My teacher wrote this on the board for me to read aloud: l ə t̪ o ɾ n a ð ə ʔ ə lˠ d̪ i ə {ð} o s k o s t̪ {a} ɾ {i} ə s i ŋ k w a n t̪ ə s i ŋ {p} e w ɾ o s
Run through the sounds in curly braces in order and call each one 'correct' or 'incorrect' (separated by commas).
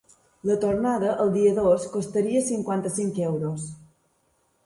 correct, incorrect, correct, incorrect